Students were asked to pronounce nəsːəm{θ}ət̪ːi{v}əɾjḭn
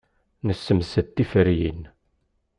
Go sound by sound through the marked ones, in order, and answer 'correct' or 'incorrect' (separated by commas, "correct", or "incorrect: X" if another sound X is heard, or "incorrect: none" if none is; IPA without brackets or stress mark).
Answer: incorrect: s, incorrect: f